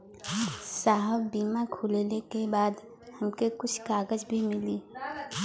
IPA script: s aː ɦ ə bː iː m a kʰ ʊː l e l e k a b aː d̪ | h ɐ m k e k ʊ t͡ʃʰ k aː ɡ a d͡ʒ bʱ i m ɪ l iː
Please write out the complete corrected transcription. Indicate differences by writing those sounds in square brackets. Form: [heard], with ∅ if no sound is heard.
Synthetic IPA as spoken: s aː ɦ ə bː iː m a kʰ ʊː l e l e k [e] b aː d̪ | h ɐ m k e k ʊ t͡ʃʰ k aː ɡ [ə] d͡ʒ bʱ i m ɪ l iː